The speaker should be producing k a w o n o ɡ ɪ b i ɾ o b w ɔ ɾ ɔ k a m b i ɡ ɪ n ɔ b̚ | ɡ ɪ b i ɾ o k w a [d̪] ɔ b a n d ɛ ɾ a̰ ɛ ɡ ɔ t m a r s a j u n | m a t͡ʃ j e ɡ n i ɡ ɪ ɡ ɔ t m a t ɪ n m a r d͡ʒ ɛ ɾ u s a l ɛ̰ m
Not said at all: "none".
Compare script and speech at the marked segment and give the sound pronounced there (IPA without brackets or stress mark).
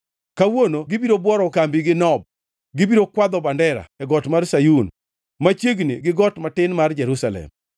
d̪